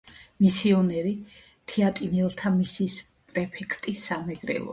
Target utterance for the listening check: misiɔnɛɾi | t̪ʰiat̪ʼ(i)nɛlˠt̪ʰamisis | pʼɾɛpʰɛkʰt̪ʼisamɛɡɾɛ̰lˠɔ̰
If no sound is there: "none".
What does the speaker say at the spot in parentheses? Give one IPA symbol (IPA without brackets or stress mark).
i